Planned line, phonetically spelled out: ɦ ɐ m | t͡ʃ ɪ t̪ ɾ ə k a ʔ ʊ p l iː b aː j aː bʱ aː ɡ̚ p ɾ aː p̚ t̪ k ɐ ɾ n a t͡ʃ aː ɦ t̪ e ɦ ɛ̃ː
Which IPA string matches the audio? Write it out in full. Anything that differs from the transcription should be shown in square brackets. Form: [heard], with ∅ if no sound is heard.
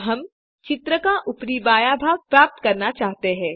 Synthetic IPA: ɦ ɐ m | t͡ʃ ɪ t̪ ɾ ə k a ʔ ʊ p [ɾ] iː b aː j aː bʱ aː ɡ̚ p ɾ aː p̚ t̪ k ɐ ɾ n a t͡ʃ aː ɦ t̪ e ɦ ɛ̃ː